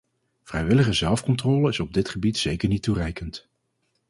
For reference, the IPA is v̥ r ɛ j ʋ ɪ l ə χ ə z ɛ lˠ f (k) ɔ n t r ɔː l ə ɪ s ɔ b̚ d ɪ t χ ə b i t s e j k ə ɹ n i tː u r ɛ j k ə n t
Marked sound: correct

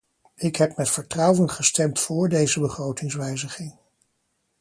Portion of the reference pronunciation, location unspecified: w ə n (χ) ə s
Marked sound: correct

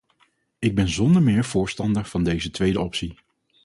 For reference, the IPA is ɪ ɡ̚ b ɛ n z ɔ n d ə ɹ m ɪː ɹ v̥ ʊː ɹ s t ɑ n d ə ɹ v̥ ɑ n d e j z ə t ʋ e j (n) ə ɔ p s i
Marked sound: incorrect: d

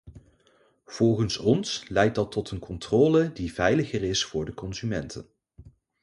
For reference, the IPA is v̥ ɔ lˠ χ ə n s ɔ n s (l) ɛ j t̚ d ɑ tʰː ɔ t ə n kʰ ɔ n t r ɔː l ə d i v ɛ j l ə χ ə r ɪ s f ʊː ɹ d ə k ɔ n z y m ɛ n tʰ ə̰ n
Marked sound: correct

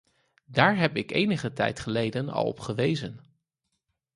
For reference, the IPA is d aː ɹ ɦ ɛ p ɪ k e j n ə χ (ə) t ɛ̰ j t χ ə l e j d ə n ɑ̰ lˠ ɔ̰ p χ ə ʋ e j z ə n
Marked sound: correct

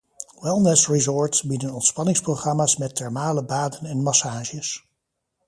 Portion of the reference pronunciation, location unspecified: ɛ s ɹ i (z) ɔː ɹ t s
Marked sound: correct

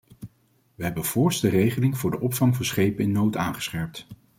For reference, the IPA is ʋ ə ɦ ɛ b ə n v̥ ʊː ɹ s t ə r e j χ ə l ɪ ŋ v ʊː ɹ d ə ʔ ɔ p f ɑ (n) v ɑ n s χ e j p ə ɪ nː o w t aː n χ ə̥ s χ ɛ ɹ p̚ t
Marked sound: incorrect: ŋ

